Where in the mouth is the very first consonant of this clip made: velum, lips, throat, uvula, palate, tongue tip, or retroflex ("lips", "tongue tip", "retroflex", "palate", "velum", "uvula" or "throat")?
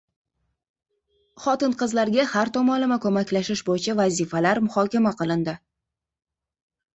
uvula